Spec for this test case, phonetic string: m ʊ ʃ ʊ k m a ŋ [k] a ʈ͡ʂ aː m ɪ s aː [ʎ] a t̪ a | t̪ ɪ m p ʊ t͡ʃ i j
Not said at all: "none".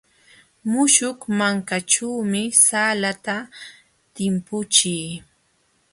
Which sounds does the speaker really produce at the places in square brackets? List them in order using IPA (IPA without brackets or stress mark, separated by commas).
k, l